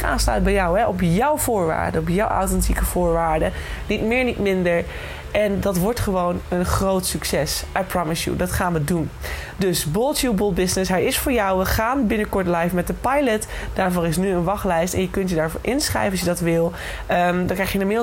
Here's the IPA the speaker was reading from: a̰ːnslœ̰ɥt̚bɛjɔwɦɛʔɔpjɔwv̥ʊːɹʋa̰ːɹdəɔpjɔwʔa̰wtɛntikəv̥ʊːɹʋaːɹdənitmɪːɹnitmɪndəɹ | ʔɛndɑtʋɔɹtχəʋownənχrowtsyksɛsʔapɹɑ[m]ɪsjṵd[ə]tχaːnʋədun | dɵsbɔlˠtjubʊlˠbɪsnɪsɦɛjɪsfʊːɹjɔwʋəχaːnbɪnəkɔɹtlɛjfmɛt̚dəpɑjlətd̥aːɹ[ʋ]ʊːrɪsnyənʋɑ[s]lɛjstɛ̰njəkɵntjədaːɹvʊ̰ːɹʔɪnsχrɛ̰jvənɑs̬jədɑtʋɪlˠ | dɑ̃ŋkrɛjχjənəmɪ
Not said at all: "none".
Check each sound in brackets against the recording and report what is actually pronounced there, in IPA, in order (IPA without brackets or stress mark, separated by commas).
m, ɑ, v, χ